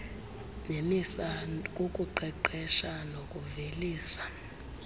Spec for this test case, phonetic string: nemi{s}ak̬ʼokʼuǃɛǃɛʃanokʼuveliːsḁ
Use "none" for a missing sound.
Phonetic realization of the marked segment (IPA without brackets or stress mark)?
s